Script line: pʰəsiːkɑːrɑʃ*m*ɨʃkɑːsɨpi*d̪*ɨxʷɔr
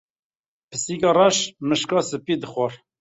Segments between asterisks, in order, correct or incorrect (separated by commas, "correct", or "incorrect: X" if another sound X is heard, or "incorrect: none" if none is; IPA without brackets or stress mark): correct, correct